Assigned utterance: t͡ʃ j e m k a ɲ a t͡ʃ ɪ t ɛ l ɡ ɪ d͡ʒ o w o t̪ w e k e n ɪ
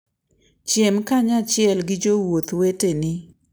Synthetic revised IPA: t͡ʃ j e m k a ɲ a t͡ʃ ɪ ɛ l ɡ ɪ d͡ʒ o w o t̪ w e t e n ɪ